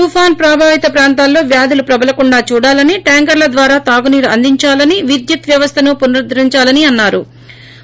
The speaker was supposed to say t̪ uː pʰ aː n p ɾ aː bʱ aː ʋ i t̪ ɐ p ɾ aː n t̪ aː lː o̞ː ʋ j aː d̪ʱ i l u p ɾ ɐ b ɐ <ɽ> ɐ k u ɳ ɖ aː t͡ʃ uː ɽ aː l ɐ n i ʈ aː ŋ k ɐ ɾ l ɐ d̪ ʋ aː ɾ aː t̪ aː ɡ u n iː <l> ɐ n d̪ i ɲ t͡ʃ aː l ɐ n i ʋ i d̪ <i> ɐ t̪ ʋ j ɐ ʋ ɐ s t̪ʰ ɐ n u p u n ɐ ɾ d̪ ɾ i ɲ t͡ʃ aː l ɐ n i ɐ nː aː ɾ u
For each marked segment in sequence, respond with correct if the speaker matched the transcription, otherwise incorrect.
incorrect: l, incorrect: ɾ, incorrect: j

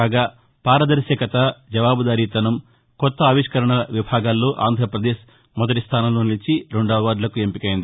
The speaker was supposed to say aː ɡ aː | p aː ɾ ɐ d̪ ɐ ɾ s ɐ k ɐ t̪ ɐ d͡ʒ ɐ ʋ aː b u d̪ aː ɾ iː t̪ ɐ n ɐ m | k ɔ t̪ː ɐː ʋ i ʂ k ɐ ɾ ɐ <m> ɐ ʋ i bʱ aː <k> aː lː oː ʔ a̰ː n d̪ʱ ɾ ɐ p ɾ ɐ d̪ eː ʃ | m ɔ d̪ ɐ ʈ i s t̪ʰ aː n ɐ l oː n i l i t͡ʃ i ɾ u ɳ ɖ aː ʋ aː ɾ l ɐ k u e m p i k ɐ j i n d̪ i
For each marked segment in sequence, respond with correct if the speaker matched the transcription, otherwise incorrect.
incorrect: ɳ, incorrect: ɡ

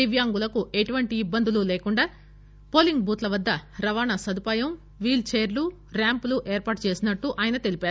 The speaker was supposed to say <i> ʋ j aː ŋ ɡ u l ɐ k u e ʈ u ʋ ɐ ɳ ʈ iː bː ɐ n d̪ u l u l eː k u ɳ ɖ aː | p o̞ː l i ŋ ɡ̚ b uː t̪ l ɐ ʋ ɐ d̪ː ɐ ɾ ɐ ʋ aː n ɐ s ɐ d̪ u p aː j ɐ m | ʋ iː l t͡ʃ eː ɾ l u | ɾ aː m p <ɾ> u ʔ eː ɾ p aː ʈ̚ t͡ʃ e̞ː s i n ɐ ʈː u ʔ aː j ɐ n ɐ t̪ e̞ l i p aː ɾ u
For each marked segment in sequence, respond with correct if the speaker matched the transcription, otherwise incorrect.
correct, incorrect: l

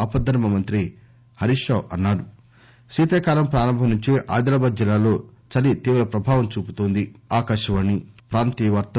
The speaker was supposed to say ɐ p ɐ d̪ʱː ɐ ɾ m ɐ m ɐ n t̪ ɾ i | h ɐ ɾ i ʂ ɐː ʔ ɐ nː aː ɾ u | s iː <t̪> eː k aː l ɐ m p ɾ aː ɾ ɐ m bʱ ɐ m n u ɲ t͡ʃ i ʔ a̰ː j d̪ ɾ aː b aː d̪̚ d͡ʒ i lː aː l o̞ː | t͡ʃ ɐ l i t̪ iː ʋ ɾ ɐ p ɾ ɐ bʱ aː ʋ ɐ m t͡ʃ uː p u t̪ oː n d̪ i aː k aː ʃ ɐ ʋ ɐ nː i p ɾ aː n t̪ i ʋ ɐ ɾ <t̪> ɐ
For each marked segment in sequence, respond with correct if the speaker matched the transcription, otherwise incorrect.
correct, correct

